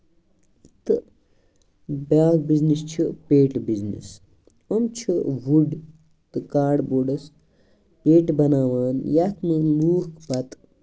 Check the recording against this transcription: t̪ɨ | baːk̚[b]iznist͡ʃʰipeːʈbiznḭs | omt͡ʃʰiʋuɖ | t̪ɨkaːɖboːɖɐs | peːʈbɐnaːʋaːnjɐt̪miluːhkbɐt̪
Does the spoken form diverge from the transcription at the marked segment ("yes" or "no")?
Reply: no